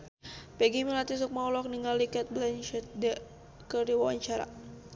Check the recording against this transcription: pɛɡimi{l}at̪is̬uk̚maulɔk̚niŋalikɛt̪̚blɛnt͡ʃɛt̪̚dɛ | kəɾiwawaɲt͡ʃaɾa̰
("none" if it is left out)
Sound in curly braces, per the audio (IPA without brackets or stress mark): l